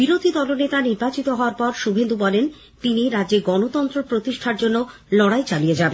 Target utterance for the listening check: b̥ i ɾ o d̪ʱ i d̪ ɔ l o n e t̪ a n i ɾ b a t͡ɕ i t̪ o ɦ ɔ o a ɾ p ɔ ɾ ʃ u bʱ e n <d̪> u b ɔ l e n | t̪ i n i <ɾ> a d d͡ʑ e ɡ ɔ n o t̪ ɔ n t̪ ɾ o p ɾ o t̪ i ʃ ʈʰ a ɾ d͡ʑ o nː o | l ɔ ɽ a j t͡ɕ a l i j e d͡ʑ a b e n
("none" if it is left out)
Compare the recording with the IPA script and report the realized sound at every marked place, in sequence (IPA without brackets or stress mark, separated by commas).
d̪, ɾ